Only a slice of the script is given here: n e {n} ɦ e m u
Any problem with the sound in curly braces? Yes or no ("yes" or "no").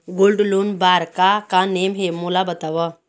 yes